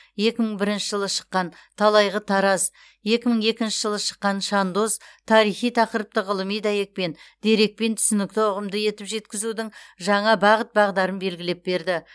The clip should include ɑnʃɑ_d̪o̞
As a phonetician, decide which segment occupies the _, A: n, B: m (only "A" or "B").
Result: A